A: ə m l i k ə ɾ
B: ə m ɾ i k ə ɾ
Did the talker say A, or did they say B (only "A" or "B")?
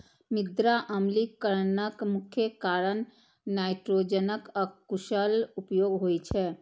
A